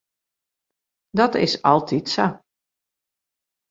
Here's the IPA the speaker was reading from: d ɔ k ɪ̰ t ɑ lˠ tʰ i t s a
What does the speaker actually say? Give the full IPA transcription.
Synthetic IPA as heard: d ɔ t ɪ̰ s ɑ lˠ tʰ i t s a